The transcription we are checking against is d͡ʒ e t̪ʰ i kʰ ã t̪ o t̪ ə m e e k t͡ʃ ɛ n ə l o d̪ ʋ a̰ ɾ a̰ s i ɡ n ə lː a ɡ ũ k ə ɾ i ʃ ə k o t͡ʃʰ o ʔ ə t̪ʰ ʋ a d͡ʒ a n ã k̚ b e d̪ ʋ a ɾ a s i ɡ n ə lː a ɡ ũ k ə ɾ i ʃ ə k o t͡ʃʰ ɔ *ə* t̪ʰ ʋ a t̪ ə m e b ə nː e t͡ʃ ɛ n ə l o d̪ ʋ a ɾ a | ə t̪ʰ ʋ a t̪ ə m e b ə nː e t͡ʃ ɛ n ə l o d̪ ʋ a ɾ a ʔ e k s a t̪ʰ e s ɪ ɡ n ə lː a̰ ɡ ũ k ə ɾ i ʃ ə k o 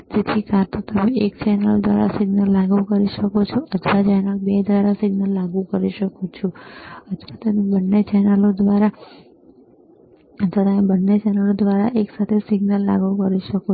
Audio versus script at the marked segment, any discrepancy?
no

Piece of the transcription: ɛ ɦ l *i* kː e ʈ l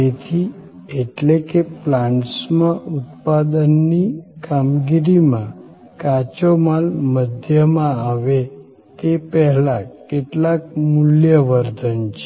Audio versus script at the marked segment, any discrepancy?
yes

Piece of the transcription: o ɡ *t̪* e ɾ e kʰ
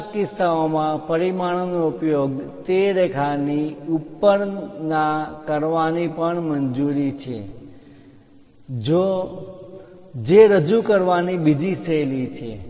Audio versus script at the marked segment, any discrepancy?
no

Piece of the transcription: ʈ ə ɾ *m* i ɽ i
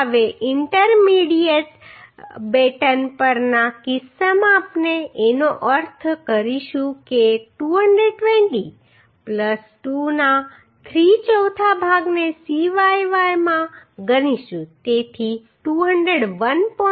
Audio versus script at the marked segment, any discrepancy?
no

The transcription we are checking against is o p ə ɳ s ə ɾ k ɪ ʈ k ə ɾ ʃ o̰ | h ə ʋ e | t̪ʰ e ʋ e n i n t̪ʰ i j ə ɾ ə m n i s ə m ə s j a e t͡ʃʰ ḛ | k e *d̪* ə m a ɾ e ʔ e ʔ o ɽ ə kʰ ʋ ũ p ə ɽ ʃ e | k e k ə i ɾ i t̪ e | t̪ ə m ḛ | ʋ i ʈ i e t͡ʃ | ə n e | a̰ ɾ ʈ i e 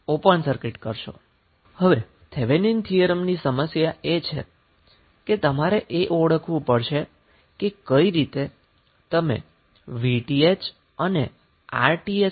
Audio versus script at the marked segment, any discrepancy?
yes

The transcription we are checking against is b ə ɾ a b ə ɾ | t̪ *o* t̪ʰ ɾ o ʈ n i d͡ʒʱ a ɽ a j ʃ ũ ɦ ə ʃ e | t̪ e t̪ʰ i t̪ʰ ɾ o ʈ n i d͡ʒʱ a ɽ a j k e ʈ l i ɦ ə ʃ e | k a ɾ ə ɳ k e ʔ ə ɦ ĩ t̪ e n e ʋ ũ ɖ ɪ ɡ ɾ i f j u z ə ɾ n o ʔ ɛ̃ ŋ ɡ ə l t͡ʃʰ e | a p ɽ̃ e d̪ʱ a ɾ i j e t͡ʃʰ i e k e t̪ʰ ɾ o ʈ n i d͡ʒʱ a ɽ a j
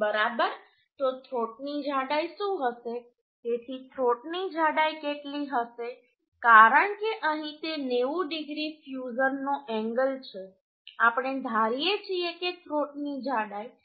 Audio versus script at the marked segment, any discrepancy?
no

